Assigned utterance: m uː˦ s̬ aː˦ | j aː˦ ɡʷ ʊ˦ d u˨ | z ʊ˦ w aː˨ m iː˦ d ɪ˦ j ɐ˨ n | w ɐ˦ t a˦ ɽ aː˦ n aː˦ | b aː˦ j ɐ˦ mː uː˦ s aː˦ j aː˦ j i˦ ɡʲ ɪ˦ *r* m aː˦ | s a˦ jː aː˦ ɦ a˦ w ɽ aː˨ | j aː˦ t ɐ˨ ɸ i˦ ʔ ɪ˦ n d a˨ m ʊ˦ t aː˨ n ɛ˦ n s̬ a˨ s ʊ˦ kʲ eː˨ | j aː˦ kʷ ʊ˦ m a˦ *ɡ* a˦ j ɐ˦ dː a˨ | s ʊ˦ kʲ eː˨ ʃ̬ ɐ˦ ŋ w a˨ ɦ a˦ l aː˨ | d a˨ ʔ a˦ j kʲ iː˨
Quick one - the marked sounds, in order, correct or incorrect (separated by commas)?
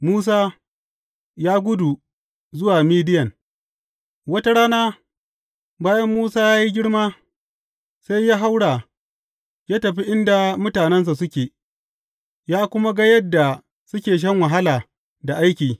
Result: incorrect, correct